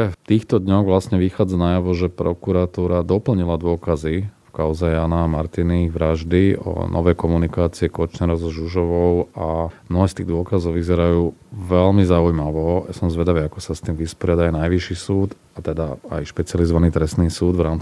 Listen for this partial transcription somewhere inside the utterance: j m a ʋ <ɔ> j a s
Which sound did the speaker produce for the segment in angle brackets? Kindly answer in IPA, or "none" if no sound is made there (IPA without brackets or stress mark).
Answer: ɔ